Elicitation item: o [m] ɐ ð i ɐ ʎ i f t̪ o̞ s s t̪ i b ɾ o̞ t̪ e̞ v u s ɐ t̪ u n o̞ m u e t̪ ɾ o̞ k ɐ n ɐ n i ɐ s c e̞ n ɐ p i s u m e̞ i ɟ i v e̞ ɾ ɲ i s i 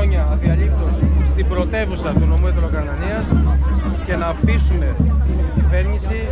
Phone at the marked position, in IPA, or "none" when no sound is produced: ɲ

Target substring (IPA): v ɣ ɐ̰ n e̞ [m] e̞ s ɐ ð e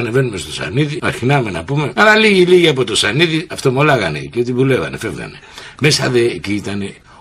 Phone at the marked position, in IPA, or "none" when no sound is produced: m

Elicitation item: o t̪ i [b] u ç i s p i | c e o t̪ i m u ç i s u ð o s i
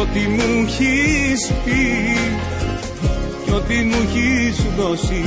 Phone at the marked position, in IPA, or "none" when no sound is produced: m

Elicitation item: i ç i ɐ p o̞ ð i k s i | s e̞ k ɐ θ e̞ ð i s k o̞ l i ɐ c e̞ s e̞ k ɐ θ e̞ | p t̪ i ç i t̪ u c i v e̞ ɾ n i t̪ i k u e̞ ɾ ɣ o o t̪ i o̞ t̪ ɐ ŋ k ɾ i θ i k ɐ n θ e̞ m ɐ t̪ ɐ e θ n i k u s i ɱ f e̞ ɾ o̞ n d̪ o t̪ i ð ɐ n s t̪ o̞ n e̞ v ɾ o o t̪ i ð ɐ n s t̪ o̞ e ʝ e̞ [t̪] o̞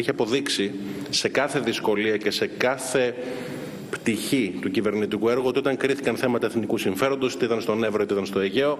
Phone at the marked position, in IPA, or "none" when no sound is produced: none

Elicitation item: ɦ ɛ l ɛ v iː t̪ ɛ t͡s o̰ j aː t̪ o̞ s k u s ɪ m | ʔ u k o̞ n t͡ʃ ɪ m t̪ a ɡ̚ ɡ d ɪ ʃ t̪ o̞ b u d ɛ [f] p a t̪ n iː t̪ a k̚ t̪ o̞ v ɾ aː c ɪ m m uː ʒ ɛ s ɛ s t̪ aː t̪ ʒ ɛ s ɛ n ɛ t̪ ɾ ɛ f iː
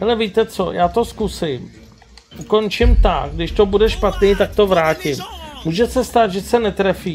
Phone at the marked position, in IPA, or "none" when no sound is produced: ʃ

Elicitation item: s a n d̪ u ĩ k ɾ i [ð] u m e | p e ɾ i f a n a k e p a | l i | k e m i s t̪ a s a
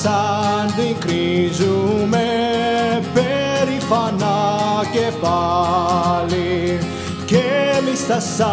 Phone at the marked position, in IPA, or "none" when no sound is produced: z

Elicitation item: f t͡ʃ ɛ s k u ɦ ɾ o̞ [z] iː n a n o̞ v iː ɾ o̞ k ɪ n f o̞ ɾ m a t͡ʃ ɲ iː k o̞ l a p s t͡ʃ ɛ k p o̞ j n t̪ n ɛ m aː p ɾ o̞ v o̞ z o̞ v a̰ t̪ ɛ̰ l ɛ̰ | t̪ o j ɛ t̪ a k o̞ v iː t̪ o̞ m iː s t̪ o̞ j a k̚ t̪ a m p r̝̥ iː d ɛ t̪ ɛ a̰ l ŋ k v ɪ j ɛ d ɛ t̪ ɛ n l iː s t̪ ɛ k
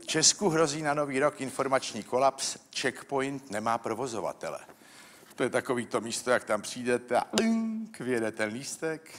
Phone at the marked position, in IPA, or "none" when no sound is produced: z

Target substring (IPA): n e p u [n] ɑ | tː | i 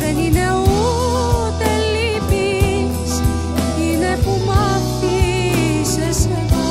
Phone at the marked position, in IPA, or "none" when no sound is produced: m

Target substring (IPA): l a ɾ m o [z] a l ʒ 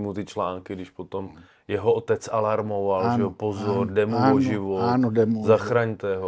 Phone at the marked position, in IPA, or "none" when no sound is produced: v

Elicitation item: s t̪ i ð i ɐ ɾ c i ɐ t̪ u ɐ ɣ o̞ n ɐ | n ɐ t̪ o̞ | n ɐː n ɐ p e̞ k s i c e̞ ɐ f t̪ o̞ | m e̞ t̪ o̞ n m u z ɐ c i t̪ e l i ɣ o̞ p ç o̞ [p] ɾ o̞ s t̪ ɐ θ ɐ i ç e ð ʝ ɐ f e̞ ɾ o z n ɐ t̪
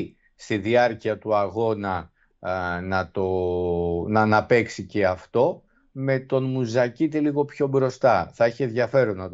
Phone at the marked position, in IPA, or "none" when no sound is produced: b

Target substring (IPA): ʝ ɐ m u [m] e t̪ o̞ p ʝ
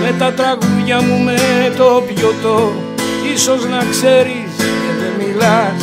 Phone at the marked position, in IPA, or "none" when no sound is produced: m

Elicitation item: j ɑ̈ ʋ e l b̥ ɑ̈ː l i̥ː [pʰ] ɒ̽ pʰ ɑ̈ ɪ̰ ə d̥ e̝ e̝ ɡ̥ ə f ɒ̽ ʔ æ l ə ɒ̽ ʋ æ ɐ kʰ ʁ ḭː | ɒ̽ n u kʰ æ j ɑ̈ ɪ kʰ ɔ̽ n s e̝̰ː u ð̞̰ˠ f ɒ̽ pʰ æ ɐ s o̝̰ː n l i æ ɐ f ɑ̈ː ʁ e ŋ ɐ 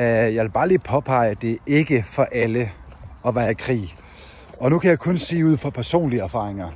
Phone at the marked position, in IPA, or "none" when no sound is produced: pʰ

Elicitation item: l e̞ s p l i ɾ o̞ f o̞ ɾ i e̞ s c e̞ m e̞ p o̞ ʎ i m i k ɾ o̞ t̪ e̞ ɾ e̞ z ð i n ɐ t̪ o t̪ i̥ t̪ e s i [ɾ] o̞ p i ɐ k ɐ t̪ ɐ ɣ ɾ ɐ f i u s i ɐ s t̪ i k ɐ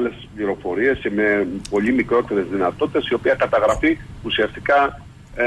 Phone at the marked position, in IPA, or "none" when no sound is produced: none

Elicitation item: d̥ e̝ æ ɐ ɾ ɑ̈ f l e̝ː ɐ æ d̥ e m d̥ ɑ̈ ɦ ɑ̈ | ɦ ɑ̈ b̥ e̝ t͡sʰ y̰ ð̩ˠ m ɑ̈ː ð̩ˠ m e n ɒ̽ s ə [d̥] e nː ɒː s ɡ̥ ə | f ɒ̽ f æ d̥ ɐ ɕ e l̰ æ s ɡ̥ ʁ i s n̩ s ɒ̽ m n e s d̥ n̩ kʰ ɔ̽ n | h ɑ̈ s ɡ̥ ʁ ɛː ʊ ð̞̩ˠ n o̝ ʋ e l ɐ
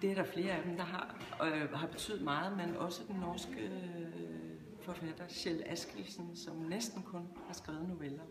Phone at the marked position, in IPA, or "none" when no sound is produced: d̥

